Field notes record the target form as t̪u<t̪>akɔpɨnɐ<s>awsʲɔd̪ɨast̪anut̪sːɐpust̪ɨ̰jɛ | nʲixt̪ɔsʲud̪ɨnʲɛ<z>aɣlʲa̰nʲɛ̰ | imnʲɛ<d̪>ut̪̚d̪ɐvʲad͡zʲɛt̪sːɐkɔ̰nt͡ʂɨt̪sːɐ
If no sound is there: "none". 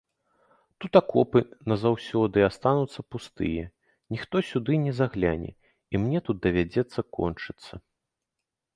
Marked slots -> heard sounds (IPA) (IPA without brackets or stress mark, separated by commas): t̪, z, z, t̪